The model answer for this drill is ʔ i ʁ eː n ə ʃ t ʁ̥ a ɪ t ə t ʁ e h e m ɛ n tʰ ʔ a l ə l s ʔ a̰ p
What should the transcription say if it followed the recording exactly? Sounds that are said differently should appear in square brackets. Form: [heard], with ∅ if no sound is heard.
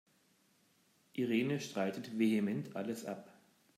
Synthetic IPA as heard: ʔ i ʁ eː n ə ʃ t ʁ̥ a ɪ t ə t [v] e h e m ɛ n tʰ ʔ a l ə [∅] s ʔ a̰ p